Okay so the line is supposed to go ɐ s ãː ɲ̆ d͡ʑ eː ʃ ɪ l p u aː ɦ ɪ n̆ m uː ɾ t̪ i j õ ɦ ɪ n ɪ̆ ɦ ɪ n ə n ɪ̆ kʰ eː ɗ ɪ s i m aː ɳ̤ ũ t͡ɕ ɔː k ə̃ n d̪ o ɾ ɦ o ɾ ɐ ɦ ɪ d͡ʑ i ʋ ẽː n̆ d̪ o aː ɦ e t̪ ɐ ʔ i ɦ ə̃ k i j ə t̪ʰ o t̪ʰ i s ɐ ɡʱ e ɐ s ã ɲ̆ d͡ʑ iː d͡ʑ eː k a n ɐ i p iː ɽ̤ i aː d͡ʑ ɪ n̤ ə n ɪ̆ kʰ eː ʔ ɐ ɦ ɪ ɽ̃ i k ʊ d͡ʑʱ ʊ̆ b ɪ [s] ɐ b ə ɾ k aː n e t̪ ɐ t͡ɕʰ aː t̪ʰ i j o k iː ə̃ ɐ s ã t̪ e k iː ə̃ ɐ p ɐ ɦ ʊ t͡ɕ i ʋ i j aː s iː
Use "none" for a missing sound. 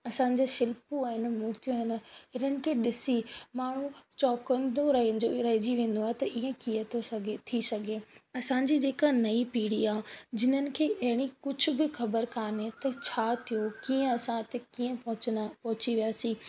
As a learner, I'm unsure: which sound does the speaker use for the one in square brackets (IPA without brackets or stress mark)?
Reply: x